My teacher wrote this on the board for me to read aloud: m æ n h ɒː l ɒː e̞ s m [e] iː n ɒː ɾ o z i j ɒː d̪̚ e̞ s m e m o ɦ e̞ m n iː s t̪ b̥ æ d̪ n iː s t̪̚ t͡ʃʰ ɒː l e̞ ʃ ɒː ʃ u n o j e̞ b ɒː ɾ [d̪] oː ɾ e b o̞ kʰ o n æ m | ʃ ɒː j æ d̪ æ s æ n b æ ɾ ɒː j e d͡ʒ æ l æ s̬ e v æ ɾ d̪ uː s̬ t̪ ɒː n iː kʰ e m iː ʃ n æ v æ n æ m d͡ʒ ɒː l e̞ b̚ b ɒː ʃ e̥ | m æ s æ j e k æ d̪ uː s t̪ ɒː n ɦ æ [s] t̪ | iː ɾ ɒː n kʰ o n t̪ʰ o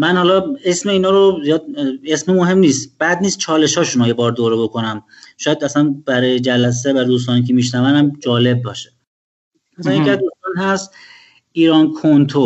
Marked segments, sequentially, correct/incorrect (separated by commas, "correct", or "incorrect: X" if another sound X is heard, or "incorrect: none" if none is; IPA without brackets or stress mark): correct, correct, correct